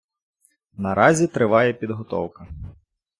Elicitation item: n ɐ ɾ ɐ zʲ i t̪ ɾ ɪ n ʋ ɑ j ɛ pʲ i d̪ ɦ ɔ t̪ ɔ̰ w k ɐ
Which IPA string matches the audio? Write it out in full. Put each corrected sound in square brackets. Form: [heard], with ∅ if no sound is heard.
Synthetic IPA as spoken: n ɐ ɾ [ɑ] zʲ i t̪ ɾ ɪ [∅] ʋ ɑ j ɛ pʲ i d̪ ɦ ɔ t̪ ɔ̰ w k ɐ